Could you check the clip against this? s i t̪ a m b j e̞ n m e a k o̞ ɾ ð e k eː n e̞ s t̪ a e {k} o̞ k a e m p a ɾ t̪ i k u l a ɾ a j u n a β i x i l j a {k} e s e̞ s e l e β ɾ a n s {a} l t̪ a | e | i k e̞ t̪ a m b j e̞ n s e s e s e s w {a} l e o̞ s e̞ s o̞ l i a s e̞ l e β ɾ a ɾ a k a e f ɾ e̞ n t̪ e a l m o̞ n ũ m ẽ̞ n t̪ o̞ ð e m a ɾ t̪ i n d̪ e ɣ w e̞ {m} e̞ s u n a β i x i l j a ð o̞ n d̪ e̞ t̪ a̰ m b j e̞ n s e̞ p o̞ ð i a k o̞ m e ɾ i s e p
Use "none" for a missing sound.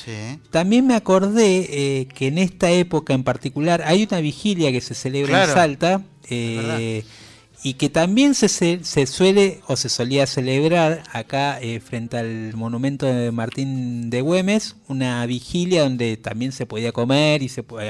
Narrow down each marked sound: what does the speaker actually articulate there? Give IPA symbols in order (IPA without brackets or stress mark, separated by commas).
p, k, a, e, m